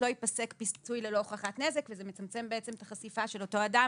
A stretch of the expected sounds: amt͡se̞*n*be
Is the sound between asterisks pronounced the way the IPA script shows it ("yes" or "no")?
no